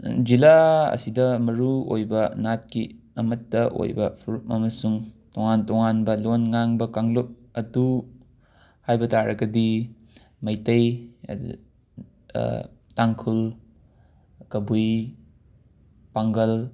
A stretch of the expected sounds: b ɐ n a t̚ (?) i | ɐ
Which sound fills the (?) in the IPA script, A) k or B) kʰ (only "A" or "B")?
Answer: A